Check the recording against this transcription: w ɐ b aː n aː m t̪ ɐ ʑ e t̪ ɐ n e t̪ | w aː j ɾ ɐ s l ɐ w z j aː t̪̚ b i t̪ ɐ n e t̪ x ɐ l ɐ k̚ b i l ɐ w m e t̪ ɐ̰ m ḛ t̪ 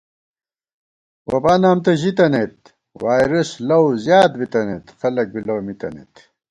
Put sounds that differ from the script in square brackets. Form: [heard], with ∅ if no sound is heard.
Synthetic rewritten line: w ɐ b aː n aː m t̪ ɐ ʑ [i] t̪ ɐ n e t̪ | w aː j ɾ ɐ s l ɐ w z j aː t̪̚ b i t̪ ɐ n e t̪ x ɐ l ɐ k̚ b i l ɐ w m [i] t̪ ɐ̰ [n] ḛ t̪